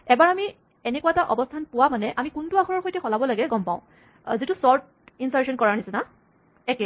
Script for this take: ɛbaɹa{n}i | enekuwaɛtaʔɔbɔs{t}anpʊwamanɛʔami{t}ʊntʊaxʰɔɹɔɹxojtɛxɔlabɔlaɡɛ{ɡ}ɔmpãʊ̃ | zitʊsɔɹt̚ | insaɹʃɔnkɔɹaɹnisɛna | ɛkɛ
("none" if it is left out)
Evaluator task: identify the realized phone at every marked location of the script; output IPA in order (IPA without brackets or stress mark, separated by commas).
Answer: m, tʰ, k, ɡ